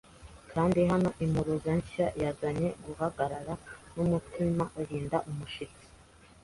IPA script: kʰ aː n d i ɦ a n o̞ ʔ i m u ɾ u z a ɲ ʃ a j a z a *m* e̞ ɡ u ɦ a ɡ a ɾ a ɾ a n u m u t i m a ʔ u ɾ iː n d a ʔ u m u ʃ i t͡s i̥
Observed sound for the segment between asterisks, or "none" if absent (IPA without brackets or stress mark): ɲ